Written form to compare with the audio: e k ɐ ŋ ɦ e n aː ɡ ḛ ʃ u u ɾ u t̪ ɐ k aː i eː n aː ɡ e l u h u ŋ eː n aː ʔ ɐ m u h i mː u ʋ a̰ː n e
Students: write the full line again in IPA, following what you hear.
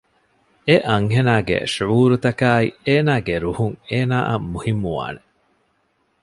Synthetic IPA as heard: e ʔ ɐ ŋ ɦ e n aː ɡ ḛ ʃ u uː ɾ u t̪ ɐ k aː i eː n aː ɡ e ɾ u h u ŋ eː n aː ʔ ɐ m u h i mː u ʋ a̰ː n e